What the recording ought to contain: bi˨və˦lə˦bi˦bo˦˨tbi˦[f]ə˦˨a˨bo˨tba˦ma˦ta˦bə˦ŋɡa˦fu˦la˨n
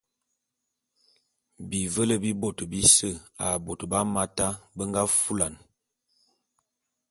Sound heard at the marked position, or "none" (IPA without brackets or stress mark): s